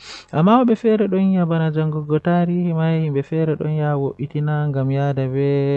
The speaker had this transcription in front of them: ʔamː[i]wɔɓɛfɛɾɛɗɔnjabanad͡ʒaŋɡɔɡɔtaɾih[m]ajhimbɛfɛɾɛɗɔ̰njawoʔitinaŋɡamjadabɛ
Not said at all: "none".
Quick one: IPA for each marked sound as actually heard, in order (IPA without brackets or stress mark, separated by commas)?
a, m